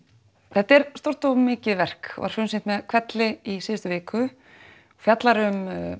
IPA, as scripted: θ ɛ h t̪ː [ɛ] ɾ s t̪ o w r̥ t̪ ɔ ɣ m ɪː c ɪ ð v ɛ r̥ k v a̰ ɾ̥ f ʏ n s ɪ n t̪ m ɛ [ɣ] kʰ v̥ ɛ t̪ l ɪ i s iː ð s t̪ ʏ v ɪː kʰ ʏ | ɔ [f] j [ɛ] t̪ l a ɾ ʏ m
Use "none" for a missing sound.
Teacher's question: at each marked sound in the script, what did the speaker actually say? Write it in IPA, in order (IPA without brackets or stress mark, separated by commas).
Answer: ɛ, ð, f, a